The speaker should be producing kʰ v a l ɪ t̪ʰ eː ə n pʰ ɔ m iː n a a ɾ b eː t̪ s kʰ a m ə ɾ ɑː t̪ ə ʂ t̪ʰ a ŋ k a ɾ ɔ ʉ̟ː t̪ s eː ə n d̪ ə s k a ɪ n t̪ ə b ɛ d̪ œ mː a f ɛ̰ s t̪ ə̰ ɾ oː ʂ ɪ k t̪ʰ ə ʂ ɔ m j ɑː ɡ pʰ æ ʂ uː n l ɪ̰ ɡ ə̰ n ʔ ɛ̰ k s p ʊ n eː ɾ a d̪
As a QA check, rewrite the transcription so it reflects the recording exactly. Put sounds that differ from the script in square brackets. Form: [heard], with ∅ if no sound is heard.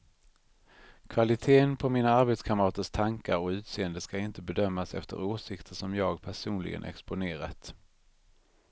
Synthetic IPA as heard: kʰ v a l ɪ t̪ʰ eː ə n pʰ ɔ m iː n a a ɾ b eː t̪ s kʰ a m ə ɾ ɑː t̪ ə ʂ t̪ʰ a ŋ k a ɾ ɔ ʉ̟ː t̪ s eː ə n d̪ ə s k a ɪ n t̪ ə b ɛ d̪ œ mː a [s] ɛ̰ [f] t̪ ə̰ ɾ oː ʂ ɪ k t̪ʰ ə ʂ ɔ m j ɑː ɡ pʰ æ ʂ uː n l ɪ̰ ɡ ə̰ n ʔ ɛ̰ k s p ʊ n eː ɾ a [t̪]